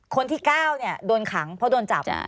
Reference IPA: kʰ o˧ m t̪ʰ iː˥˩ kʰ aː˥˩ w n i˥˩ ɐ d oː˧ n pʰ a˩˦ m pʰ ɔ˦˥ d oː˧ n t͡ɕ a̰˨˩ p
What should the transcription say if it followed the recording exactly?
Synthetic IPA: kʰ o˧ n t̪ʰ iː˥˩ k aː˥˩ w n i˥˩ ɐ d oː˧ n kʰ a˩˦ ŋ pʰ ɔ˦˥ d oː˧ n t͡ɕ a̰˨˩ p